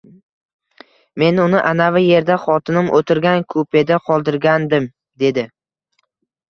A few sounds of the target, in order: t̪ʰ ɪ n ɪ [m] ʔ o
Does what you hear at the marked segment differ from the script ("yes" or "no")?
no